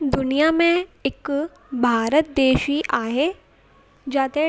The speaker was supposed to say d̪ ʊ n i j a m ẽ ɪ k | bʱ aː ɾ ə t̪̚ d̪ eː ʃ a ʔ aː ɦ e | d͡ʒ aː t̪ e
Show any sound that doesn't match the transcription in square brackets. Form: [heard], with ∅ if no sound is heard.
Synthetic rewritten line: d̪ ʊ n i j a m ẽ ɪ k | bʱ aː ɾ ə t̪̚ d̪ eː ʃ [i] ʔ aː ɦ e | d͡ʒ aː t̪ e